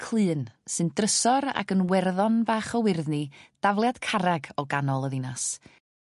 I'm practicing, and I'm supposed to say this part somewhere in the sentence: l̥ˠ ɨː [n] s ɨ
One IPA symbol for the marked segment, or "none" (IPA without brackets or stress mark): n